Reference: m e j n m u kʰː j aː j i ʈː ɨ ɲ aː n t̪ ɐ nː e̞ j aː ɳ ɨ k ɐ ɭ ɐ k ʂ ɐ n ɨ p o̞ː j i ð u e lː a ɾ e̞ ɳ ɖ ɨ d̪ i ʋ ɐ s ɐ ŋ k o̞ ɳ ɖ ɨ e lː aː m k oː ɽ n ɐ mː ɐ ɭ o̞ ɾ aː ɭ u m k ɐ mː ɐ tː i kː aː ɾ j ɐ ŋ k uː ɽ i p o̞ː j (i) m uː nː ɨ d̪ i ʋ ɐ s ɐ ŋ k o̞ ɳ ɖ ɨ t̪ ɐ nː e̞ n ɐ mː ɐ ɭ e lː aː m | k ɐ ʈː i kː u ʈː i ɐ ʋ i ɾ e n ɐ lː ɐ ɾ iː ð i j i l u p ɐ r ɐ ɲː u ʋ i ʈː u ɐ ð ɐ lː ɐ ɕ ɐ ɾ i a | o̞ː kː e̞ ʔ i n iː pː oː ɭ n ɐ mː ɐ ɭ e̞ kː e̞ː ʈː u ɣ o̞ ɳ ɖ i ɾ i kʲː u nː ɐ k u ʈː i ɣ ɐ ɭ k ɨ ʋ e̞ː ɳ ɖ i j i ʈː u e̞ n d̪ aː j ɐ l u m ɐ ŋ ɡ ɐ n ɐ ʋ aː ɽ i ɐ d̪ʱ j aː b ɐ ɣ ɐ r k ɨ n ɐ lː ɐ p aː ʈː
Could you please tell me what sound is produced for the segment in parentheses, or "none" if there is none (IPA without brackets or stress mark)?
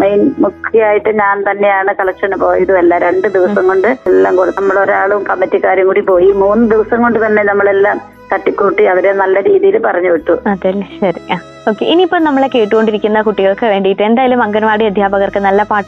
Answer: i